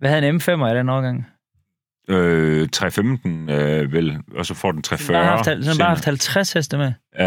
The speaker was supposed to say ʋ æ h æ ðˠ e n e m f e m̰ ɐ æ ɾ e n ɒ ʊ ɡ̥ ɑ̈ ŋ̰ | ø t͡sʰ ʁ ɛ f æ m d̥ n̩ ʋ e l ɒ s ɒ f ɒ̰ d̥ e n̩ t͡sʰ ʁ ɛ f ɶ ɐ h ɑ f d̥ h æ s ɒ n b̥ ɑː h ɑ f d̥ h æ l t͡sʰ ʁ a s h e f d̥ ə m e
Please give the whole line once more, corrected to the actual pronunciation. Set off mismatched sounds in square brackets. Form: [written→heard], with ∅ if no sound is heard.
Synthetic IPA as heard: ʋ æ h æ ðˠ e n e m f e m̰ ɐ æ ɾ e n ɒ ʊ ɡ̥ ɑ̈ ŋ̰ | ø t͡sʰ ʁ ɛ f [æ→e] m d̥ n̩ ʋ e l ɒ s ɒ f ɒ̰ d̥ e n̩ t͡sʰ ʁ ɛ f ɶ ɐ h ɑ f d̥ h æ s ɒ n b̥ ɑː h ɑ f d̥ h æ l t͡sʰ ʁ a s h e [f→s] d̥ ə m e